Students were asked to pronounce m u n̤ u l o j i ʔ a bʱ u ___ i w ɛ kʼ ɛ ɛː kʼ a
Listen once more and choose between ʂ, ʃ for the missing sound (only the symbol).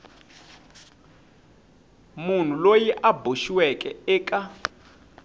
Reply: ʃ